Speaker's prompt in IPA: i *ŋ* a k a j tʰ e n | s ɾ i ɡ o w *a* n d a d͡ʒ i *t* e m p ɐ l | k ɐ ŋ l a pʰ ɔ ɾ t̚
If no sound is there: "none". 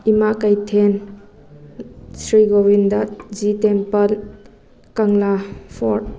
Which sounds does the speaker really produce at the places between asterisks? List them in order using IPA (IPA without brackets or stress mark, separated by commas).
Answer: m, i, t